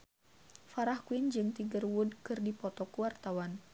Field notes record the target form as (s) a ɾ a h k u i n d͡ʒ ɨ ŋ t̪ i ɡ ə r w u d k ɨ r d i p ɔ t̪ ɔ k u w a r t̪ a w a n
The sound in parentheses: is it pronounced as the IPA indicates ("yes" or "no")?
no